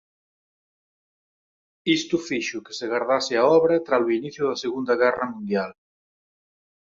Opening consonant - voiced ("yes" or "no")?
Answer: no